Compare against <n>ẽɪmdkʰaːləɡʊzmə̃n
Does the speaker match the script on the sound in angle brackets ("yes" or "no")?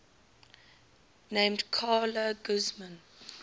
yes